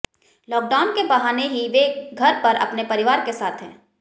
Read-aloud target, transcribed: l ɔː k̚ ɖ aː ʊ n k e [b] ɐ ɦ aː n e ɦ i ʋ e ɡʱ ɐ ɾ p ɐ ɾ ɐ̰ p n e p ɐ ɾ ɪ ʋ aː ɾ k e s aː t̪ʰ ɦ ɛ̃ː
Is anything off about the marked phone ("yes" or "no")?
no